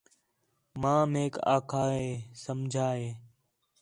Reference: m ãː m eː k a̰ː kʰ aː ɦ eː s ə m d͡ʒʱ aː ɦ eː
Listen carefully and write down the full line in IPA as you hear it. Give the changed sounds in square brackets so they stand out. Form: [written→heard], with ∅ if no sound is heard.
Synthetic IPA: m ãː m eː k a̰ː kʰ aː ɦ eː s ə m d͡ʒʱ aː ɦ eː